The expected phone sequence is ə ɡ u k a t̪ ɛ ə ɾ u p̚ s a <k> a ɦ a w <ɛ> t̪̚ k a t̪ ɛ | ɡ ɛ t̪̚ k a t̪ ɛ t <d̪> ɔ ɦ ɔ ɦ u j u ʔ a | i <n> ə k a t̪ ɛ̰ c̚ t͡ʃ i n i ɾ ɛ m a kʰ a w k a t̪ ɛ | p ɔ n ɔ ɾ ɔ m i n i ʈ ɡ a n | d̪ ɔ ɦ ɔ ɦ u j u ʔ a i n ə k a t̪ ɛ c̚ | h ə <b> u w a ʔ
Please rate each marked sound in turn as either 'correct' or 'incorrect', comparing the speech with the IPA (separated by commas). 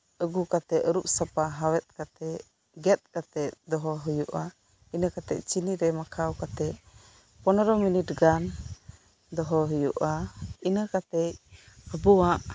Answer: incorrect, correct, correct, correct, correct